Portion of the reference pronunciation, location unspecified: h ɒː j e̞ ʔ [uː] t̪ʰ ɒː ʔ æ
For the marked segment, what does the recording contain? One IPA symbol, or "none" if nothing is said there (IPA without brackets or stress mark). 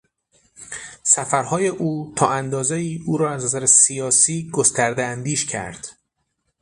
uː